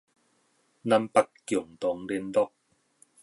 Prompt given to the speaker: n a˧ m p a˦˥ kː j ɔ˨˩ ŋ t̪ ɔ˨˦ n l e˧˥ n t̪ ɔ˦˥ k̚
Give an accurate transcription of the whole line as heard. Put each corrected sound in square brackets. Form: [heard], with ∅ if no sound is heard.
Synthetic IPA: n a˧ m p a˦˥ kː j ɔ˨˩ ŋ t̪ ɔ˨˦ [ŋ] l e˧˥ n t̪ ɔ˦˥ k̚